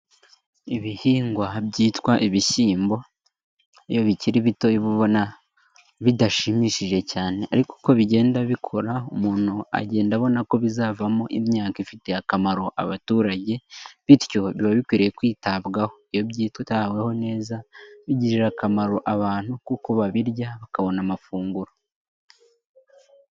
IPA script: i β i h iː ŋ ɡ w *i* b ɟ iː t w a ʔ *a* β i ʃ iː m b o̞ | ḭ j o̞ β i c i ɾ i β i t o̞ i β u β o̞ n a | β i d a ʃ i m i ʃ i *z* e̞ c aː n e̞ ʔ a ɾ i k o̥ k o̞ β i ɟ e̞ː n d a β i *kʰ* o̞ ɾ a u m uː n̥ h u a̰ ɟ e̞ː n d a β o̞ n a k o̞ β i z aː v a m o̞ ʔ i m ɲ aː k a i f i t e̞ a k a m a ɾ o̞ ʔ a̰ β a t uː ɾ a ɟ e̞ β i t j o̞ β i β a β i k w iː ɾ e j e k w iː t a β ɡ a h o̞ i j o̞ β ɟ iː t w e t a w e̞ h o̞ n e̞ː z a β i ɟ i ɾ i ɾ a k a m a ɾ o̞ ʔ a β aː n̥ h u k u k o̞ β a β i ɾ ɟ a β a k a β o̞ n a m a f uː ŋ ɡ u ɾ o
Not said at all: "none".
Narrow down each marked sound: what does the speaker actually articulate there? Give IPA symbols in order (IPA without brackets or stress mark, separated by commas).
a, i, ʒ, kʰ